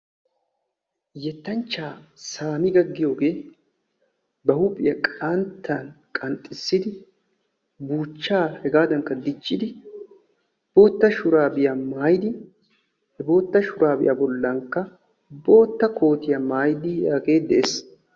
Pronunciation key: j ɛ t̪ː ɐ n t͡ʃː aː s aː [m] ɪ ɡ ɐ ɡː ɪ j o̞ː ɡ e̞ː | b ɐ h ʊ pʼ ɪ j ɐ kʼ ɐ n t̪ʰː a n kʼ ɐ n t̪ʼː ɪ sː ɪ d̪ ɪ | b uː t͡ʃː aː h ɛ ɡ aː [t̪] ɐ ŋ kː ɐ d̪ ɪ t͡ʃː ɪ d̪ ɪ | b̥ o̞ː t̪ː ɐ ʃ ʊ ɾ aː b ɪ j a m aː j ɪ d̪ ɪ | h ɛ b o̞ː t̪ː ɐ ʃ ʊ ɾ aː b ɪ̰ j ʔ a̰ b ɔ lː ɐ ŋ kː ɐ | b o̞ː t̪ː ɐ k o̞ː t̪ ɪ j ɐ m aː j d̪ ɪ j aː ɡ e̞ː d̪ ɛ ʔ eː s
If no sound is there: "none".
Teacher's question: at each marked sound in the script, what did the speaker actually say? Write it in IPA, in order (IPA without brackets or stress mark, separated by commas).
m, d̪